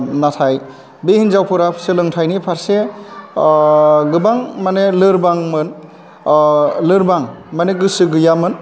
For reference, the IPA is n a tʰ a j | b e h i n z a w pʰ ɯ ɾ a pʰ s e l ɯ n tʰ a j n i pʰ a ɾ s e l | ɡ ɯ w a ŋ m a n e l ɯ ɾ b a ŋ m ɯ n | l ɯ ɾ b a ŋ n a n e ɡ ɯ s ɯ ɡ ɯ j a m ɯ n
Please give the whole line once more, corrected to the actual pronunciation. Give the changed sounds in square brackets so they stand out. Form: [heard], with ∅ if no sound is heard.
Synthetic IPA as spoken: n a tʰ a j | b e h i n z a w pʰ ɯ ɾ a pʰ s e l ɯ [ŋ] tʰ a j n i pʰ a ɾ s e [∅] | ɡ ɯ [b] a ŋ m a n e l ɯ ɾ b a ŋ m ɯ n | l ɯ ɾ b a ŋ [m] a n e ɡ ɯ s ɯ ɡ ɯ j a m ɯ n